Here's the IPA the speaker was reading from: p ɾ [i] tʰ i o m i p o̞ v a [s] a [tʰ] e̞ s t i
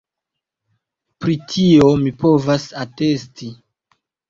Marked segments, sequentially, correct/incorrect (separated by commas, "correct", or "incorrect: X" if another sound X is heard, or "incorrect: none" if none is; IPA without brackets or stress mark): correct, correct, incorrect: t